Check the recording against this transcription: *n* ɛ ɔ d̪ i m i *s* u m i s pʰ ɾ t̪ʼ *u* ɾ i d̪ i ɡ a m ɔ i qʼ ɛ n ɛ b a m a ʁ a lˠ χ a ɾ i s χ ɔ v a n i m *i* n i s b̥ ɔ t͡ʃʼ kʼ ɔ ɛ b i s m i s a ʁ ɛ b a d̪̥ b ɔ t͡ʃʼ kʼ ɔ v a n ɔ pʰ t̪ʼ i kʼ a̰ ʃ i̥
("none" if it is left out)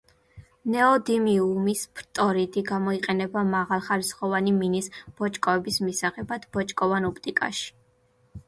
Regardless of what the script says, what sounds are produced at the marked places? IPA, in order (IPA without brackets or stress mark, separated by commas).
n, none, ɔ, i